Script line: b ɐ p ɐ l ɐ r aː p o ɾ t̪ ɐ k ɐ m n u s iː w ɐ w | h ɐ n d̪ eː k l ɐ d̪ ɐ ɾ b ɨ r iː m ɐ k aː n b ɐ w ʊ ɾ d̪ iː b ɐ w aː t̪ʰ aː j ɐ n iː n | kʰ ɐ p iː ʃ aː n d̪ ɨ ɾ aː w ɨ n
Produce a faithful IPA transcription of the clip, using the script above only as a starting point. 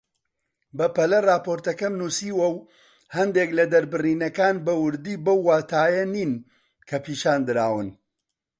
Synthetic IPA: b ɐ p ɐ l ɐ r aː p o ɾ t̪ ɐ k ɐ m n u s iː w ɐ w | h ɐ n d̪ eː k l ɐ d̪ ɐ ɾ b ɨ r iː n ɐ k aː n b ɐ w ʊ ɾ d̪ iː b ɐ wː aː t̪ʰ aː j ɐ n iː n | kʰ ɐ p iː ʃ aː n d̪ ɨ ɾ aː w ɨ n